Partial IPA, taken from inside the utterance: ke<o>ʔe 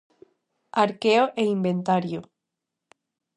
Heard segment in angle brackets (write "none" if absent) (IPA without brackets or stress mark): o